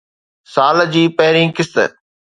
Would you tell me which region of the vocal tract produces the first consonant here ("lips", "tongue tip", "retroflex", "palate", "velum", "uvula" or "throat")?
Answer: tongue tip